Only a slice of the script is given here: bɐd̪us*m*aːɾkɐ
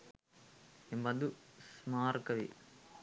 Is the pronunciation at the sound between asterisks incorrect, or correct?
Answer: correct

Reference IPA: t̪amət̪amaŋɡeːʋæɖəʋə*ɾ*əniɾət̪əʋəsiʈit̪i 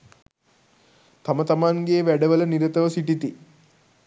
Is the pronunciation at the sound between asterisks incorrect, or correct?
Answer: incorrect: l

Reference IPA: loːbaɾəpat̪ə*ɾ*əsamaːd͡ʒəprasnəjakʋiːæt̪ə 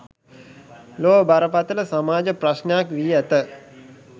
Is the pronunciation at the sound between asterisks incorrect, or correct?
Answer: incorrect: l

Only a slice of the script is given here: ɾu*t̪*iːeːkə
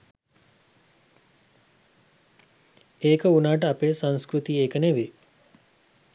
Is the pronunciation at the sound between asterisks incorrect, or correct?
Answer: correct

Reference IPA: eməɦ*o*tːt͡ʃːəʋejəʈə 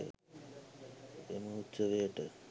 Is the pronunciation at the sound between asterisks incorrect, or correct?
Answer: incorrect: u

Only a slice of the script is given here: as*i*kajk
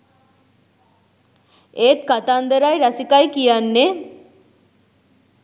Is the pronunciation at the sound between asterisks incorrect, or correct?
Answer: correct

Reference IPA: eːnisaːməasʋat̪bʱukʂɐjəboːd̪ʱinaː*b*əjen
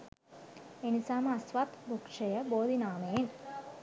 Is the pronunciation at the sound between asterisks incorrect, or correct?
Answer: incorrect: m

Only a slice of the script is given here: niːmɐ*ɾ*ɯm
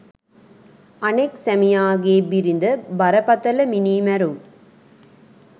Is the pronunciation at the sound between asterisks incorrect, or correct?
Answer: correct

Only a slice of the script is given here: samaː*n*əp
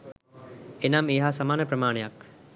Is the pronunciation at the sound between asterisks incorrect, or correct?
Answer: correct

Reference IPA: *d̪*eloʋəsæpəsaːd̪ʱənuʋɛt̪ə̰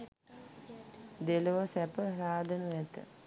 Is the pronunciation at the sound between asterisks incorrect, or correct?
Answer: correct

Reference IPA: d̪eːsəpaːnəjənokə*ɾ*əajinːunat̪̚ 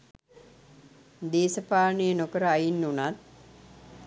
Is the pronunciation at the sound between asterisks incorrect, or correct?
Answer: correct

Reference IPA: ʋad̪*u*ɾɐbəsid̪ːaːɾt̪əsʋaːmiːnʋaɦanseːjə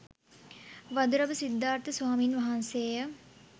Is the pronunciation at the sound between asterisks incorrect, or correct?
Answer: correct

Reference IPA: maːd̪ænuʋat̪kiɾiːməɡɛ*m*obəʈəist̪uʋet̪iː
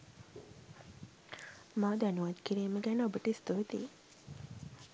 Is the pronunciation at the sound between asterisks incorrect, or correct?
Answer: incorrect: n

